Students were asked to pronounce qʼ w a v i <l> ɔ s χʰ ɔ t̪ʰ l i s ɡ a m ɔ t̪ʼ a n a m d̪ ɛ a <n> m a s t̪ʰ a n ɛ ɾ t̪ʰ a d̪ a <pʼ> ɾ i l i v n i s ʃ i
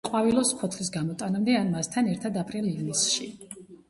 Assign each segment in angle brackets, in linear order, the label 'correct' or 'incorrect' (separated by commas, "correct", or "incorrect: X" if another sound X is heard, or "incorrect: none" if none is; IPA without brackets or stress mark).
correct, correct, correct